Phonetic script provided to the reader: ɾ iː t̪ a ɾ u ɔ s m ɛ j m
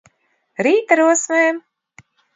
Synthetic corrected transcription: ɾ iː t̪ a ɾ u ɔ s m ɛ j m